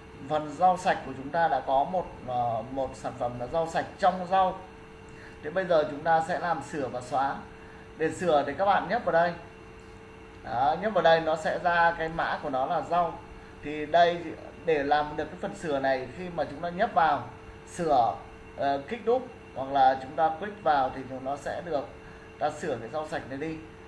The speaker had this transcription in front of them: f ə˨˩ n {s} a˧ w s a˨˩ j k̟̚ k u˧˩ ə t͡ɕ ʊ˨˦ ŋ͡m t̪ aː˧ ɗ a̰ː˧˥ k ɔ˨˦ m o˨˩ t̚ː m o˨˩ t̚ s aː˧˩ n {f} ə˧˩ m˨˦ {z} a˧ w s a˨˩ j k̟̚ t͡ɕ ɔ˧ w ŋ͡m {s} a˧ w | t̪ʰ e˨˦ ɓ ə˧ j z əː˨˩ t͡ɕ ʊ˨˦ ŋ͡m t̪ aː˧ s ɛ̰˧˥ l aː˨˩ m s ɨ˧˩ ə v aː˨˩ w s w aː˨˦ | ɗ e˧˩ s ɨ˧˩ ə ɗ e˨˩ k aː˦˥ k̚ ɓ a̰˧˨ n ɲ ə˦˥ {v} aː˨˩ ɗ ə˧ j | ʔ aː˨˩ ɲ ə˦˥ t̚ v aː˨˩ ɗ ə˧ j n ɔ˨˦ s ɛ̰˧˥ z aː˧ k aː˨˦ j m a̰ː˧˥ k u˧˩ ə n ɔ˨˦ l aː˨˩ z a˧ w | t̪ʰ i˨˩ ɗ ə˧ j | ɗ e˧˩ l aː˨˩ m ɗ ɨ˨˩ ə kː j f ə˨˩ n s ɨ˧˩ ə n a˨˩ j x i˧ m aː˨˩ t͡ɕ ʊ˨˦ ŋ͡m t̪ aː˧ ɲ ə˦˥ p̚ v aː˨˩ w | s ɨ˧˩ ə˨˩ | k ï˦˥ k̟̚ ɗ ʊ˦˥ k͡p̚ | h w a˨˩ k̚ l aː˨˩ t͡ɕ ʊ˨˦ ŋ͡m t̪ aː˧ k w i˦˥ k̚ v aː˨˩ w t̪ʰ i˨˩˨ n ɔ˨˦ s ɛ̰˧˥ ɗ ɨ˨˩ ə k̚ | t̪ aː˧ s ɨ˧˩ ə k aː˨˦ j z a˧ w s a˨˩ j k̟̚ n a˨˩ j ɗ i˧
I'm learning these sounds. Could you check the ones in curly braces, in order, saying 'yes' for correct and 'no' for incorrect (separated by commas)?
no, yes, yes, no, yes